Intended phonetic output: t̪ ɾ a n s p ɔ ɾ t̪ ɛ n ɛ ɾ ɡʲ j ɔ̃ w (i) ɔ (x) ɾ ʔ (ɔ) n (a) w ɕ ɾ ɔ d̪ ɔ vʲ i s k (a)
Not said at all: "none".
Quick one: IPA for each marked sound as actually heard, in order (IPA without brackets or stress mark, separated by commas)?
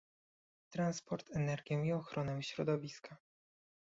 i, x, ɔ, ɛ, a